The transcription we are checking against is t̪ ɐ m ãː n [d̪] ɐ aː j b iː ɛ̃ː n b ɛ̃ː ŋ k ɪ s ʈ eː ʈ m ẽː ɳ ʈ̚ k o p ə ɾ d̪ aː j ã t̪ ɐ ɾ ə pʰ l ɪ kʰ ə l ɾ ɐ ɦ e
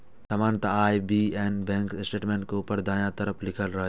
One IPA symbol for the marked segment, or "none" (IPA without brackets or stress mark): t̪